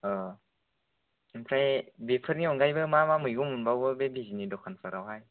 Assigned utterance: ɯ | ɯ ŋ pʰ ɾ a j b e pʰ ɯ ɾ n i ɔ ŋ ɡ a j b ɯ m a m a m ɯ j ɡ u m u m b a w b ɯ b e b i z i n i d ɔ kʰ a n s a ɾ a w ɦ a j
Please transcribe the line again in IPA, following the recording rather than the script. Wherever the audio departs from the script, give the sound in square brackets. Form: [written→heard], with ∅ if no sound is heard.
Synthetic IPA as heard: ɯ | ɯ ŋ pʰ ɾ a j b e pʰ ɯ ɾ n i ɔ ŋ ɡ a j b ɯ m a m a m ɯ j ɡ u m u [m→n] b a w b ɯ b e b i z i n i d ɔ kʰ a n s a ɾ a w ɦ a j